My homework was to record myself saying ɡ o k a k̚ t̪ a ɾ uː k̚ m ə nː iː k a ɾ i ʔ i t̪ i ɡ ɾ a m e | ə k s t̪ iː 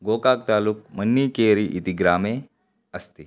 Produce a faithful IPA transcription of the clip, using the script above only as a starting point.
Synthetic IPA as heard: ɡ o k a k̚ t̪ a l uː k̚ m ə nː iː k e ɾ i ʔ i t̪ i ɡ ɾ a m e | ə s t̪ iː